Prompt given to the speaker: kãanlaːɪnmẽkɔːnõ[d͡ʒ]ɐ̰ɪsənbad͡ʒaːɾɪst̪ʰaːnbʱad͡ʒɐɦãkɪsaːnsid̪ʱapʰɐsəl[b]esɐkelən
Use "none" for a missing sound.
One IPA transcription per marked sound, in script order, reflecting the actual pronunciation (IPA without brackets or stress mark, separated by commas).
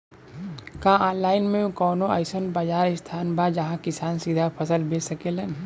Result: none, b